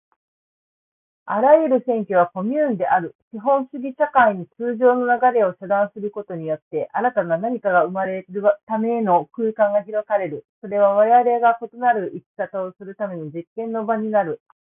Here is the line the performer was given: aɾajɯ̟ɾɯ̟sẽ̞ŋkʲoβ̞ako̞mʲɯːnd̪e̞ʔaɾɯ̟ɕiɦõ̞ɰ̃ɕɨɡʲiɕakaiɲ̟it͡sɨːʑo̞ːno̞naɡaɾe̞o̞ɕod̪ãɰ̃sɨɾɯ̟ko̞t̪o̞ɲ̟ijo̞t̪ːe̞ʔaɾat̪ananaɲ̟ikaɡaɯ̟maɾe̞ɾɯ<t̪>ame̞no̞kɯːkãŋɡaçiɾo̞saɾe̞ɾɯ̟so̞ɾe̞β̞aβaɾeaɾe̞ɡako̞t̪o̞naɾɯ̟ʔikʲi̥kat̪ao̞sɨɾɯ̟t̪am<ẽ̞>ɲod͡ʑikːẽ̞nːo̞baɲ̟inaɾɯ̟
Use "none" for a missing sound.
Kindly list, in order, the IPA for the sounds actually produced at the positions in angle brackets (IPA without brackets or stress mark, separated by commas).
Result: t̪, e̞